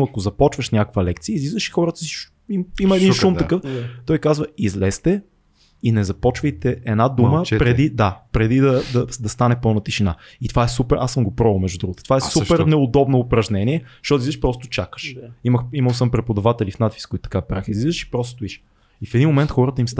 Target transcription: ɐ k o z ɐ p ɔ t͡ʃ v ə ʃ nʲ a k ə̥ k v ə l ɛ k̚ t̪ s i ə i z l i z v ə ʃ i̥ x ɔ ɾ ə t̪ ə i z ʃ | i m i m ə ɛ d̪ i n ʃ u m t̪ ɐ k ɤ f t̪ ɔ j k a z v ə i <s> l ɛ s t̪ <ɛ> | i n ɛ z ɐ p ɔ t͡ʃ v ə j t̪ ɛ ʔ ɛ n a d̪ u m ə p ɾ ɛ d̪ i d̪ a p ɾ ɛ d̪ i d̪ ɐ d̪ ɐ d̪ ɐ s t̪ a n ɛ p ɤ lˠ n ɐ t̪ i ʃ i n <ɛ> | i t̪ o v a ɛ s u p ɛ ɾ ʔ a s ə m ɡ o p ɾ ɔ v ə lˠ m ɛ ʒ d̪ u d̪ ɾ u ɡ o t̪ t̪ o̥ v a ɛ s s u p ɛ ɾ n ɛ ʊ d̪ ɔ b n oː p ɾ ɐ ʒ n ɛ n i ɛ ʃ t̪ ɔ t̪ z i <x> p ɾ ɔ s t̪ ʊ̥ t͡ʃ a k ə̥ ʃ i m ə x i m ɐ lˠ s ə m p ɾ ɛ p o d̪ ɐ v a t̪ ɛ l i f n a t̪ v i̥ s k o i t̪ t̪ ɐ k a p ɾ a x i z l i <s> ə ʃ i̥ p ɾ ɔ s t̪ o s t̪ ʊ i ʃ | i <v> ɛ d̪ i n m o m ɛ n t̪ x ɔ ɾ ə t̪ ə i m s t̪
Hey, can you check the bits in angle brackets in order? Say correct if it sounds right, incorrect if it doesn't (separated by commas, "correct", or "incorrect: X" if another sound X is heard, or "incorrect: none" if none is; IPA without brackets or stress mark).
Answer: incorrect: z, correct, incorrect: a, incorrect: ʃ, incorrect: z, incorrect: f